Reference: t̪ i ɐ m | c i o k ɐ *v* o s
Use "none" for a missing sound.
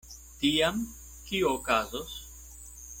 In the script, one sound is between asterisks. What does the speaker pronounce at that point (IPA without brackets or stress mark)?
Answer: z